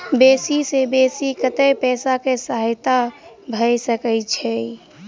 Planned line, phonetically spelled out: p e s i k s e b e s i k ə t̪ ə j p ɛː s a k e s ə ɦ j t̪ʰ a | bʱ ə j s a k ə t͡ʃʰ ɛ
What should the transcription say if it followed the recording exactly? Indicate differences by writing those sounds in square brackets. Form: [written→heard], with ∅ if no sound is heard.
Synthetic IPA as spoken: [p→b] e s i [k→∅] s e b e s i k ə t̪ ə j p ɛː s a k e s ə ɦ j [t̪ʰ→t̪] a | bʱ ə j s [a→ə] k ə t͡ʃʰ ɛ